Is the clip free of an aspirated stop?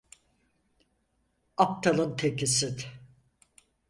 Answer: no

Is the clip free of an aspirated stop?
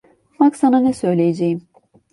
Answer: yes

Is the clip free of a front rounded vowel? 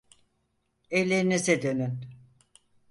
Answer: no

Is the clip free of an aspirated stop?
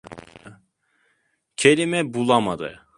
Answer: no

